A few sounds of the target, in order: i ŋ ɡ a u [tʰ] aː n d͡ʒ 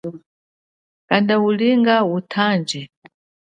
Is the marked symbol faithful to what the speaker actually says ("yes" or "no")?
yes